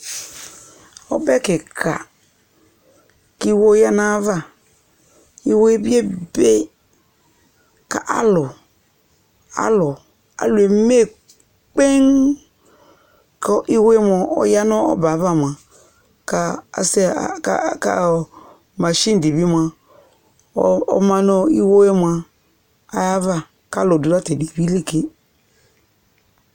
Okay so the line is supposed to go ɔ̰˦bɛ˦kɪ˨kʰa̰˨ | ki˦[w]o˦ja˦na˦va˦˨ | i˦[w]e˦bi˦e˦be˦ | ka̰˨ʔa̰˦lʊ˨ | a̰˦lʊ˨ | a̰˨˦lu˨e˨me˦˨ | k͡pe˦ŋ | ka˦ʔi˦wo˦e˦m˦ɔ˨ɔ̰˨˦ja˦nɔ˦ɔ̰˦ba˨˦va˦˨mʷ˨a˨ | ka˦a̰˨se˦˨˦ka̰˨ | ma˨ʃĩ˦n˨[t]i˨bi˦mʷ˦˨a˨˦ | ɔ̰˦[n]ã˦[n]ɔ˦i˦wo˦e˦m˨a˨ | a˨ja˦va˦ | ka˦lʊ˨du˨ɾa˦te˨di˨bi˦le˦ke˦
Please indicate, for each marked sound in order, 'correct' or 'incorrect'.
correct, correct, incorrect, incorrect, correct

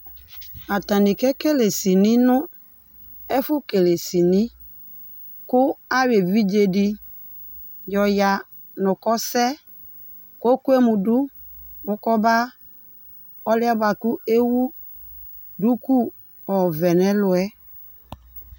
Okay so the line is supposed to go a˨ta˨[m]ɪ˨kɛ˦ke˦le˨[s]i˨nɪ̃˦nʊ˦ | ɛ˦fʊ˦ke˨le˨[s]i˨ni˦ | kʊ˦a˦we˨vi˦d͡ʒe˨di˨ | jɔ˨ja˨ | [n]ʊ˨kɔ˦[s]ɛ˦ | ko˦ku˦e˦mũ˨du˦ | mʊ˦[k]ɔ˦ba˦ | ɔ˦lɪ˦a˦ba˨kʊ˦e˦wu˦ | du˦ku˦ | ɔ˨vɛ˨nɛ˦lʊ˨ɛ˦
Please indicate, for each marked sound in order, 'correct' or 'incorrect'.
incorrect, correct, correct, correct, correct, correct

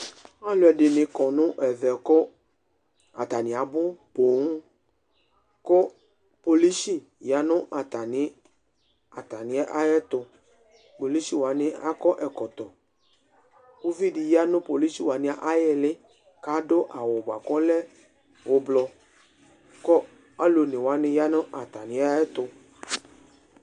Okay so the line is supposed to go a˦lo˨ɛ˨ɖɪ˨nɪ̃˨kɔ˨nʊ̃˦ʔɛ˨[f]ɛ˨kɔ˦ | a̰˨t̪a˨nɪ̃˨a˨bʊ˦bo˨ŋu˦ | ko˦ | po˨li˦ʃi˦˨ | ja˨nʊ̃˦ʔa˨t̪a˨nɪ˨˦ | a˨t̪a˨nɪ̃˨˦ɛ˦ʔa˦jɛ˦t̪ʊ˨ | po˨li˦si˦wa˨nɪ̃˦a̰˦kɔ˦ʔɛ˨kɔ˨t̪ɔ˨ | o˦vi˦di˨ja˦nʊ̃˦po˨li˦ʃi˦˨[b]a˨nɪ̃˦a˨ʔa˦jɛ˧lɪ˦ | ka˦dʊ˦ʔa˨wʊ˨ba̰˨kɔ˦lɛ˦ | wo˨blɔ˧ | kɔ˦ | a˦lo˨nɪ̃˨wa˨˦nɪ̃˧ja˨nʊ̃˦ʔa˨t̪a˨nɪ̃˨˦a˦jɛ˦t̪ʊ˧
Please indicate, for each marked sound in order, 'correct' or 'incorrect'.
incorrect, incorrect

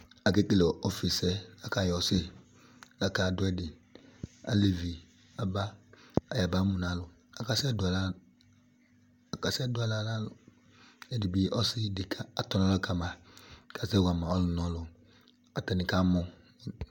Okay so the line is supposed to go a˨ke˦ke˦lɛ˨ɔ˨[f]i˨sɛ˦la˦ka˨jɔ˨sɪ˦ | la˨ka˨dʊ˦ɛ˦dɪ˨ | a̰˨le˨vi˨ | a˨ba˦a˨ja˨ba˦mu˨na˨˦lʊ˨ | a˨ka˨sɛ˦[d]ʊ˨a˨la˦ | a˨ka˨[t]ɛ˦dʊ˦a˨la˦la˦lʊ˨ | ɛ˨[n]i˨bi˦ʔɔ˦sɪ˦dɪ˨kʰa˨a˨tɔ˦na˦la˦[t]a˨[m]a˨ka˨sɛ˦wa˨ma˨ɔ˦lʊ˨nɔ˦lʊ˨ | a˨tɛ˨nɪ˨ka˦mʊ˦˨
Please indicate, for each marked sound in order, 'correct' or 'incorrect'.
correct, correct, incorrect, incorrect, incorrect, correct

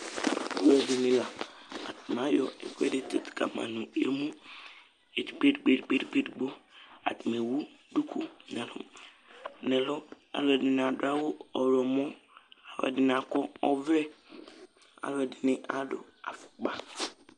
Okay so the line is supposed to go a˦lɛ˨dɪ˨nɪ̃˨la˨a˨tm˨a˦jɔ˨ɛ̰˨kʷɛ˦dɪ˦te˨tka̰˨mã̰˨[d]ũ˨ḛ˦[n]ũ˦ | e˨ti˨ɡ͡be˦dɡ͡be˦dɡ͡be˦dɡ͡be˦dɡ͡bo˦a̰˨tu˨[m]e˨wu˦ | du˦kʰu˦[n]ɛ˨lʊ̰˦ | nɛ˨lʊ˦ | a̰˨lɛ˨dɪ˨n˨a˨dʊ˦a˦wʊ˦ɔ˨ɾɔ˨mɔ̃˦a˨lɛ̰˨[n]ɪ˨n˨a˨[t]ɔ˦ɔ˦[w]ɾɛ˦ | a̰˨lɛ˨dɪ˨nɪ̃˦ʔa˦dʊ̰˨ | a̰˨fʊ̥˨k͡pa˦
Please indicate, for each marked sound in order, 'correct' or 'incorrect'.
incorrect, incorrect, correct, correct, incorrect, incorrect, incorrect

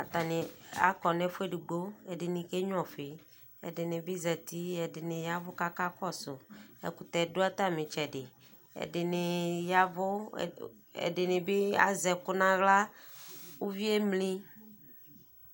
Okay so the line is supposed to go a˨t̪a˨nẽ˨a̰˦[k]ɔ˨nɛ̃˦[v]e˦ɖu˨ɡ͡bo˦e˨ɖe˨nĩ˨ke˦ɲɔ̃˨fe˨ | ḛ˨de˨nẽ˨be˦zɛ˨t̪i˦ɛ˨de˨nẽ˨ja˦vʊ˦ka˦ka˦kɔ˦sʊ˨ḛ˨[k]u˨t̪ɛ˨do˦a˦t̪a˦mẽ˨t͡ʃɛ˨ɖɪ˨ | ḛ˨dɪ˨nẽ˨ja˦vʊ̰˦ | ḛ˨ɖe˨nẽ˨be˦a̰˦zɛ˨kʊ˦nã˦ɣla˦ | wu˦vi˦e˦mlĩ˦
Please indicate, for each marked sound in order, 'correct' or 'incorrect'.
correct, incorrect, correct

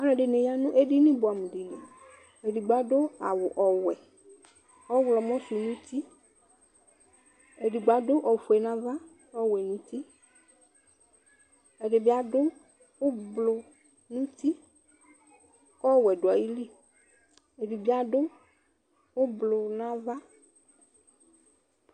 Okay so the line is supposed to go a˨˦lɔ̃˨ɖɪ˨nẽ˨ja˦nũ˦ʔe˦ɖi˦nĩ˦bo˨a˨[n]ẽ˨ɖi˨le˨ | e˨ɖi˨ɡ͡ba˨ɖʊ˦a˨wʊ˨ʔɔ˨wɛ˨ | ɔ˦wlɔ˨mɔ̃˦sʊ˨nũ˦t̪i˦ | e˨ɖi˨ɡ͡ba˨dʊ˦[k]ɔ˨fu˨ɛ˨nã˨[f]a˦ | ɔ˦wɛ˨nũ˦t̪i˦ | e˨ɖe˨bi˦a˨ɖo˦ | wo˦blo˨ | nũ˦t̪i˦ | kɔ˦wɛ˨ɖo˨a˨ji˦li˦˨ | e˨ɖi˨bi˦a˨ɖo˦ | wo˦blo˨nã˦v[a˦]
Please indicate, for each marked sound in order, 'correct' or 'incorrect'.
incorrect, incorrect, incorrect, correct

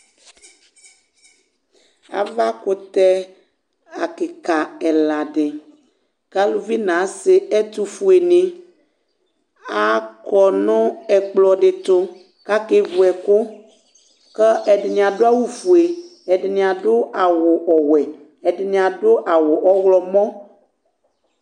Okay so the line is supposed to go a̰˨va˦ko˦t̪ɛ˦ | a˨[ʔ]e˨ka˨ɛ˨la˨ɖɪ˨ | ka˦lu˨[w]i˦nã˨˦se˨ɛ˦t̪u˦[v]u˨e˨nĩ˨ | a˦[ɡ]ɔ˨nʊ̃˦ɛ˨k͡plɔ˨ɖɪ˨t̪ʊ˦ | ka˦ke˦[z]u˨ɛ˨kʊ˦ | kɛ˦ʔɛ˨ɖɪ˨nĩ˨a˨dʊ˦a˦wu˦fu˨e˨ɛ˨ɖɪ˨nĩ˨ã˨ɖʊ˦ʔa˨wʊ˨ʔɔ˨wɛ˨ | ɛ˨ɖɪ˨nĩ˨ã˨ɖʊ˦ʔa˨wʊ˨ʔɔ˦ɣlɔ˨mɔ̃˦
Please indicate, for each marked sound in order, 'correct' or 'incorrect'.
incorrect, incorrect, incorrect, incorrect, incorrect

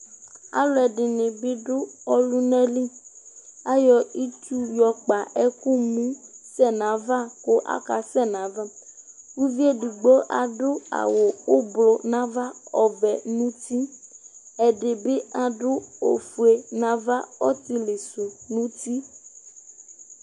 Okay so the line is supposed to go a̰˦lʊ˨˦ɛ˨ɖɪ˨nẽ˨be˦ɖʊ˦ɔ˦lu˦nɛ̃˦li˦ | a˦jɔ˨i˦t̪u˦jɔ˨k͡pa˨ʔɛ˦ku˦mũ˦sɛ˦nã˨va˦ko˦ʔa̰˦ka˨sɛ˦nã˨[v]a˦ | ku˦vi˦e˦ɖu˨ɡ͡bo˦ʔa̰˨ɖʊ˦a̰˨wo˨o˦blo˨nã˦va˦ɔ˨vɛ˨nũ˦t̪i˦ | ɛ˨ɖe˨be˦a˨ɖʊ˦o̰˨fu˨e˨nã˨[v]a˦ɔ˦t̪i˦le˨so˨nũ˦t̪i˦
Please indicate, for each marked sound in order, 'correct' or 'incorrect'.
correct, correct

